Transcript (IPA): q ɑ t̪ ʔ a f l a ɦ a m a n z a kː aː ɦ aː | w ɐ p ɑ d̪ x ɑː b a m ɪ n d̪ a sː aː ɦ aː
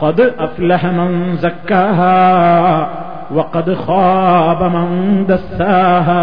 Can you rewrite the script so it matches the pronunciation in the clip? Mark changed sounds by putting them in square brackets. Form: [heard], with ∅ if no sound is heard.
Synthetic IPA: q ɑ [d̪] ʔ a f l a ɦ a m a n z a kː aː ɦ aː | w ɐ [q] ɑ d̪ x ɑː b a m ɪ n d̪ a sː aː ɦ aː